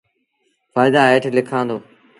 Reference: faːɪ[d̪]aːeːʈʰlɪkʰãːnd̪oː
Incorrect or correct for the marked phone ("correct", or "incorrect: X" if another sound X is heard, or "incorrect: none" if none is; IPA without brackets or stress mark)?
correct